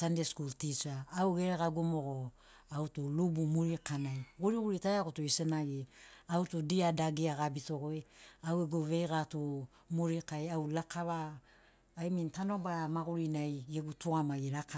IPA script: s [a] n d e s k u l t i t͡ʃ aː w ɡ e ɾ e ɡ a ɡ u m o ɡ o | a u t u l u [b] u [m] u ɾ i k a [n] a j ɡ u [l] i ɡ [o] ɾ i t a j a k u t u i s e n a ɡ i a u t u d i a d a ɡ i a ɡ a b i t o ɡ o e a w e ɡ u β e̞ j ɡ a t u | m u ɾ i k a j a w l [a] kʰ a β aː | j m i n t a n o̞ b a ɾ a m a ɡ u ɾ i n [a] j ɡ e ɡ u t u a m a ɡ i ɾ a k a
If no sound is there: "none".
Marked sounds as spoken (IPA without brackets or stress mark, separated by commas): a, b, m, n, ɾ, u, a, a